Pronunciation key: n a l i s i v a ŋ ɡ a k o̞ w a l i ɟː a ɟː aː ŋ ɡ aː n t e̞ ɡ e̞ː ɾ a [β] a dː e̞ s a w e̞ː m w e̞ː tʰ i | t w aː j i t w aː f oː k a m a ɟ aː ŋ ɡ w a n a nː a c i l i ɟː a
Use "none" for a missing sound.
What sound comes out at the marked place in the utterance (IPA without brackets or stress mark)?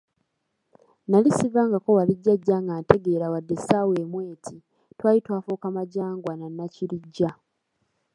w